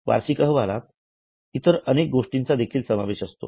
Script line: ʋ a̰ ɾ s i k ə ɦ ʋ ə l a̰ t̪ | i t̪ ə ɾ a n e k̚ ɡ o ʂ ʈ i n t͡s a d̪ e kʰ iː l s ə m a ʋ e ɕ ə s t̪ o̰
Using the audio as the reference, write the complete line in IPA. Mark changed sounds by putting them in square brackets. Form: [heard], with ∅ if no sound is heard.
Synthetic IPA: ʋ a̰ ɾ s i k ə ɦ ʋ [a] l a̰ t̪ | i t̪ ə ɾ [ə] n e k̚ ɡ o ʂ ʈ i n t͡s a d̪ e kʰ iː l s ə m a ʋ e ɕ ə s t̪ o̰